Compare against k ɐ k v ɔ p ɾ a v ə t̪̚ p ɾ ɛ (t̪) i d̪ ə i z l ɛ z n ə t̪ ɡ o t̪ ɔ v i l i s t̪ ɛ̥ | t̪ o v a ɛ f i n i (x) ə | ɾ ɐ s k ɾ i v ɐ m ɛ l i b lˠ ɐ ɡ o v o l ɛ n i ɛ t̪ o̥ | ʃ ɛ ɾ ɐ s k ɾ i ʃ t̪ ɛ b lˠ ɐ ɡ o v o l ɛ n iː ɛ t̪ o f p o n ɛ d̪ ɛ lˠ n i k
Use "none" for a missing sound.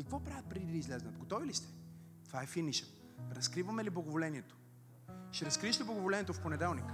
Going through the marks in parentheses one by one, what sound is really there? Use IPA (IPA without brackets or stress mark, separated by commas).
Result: d̪, ʃ